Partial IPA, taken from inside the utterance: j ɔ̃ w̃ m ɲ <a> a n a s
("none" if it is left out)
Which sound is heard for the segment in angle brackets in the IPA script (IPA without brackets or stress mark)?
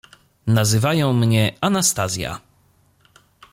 ɛ